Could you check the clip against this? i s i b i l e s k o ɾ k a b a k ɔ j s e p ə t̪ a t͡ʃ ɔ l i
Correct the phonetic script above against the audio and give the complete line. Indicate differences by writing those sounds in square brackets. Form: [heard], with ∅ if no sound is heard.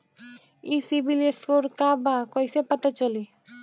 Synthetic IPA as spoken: i s i b i l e s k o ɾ k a b a k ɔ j s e p [a] t̪ a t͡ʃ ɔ l i